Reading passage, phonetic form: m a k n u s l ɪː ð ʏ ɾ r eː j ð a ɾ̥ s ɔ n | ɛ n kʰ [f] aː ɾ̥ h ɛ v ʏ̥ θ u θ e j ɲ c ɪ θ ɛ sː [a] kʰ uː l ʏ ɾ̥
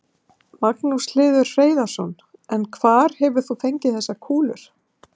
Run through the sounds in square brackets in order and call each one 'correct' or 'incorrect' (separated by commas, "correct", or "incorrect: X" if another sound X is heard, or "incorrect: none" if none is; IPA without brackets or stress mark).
incorrect: v, correct